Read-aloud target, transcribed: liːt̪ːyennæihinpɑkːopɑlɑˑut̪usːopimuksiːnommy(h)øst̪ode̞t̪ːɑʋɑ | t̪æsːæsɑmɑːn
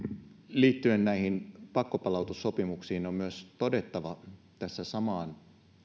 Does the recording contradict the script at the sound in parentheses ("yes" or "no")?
yes